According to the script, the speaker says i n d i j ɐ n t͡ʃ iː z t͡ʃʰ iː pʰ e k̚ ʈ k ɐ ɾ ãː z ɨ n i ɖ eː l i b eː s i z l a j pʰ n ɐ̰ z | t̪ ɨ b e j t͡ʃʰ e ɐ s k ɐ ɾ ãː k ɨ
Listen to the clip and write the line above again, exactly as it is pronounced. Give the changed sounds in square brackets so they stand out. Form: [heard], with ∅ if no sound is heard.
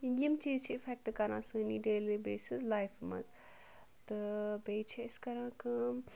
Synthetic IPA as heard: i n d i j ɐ [m] t͡ʃ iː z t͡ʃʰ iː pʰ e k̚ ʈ k ɐ ɾ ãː [s] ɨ n i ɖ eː l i b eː s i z l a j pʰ [m] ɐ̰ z | t̪ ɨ b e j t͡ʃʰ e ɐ s k ɐ ɾ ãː k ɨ